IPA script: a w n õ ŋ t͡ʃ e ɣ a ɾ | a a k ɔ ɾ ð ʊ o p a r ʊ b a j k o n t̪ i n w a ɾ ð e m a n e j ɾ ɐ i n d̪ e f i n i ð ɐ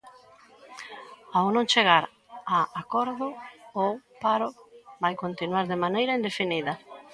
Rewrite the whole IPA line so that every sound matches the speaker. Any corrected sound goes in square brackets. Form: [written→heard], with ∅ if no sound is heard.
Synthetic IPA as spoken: a w n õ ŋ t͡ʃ e ɣ a ɾ | a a k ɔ ɾ ð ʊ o p a [r→ɾ] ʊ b a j k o n t̪ i n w a ɾ ð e m a n e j ɾ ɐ i n d̪ e f i n i ð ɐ